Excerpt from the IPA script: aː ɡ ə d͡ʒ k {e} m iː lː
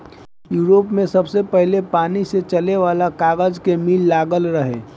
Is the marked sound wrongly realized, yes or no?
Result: no